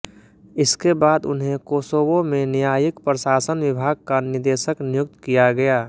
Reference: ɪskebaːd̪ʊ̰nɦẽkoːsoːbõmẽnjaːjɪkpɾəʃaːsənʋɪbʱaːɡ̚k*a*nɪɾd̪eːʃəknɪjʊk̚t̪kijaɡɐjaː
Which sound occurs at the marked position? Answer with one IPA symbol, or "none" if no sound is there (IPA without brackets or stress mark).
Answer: a